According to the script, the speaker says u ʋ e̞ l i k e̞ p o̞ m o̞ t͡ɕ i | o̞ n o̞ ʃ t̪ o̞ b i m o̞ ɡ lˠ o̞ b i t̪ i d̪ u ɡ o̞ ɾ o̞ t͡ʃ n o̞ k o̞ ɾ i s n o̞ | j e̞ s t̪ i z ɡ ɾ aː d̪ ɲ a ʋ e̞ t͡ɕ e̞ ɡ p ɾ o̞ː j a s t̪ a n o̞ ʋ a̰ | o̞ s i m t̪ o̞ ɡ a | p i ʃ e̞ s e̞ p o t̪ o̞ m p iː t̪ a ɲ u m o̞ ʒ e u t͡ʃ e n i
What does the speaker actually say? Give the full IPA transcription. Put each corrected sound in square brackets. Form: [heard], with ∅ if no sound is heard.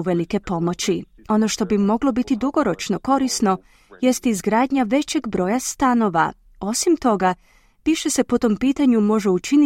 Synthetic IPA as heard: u ʋ e̞ l i k e̞ p o̞ m o̞ t͡ɕ i | o̞ n o̞ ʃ t̪ o̞ b i m o̞ ɡ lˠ o̞ b i t̪ i d̪ u ɡ o̞ ɾ o̞ t͡ʃ n o̞ k o̞ ɾ i s n o̞ | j e̞ s t̪ i z ɡ ɾ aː d̪ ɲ a ʋ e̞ t͡ɕ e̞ ɡ [b] ɾ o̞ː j a s t̪ a n o̞ ʋ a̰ | o̞ s i m t̪ o̞ ɡ a | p i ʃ e̞ s e̞ p o t̪ o̞ m p iː t̪ a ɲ u m o̞ ʒ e u t͡ʃ [i] n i